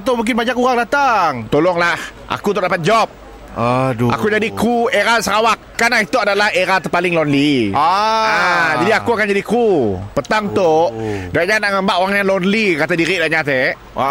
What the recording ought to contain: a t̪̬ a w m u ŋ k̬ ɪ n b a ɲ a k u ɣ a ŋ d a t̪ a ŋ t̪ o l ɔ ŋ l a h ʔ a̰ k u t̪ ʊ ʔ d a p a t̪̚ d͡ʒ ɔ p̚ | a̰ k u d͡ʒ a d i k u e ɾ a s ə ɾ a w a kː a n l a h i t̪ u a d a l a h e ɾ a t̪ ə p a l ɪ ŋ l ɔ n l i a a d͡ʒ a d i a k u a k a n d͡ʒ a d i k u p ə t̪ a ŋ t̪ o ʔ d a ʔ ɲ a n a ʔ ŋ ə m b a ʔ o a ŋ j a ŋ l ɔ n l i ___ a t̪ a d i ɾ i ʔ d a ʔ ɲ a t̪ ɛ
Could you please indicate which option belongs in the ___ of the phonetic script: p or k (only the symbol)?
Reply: k